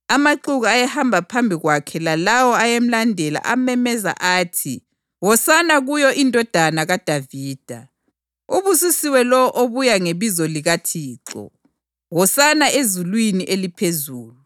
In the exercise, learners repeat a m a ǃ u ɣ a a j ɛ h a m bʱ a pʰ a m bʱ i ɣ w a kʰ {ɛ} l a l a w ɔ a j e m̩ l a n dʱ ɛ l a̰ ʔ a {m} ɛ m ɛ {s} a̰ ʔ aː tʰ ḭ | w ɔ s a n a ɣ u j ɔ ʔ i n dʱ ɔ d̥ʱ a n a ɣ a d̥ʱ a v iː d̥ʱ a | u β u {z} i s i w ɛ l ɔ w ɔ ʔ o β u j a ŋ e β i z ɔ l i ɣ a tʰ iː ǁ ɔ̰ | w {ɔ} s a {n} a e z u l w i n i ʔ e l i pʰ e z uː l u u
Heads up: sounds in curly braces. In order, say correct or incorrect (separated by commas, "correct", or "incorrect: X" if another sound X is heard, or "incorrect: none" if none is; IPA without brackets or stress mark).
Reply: correct, correct, incorrect: z, incorrect: s, correct, correct